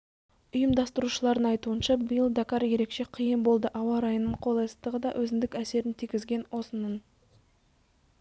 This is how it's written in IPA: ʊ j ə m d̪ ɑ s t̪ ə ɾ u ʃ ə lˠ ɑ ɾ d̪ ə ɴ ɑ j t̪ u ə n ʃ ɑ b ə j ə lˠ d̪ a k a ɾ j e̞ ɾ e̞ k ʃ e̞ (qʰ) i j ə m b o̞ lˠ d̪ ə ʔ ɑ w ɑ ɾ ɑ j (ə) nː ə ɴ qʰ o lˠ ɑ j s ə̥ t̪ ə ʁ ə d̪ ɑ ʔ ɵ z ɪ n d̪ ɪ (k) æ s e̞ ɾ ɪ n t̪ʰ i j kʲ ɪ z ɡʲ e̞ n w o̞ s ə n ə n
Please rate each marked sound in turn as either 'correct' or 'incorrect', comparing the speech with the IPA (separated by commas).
correct, correct, correct